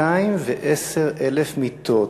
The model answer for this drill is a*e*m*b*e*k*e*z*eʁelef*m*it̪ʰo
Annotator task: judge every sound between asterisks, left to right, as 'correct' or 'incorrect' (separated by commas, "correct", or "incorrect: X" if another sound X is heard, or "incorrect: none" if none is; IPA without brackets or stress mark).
incorrect: i, incorrect: v, incorrect: ʔ, incorrect: s, correct